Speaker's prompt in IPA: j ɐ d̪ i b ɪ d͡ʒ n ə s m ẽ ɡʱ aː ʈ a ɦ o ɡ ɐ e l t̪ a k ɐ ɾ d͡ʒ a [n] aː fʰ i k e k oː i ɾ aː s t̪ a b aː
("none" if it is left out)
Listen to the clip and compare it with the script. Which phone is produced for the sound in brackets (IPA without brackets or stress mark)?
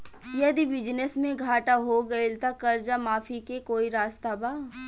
m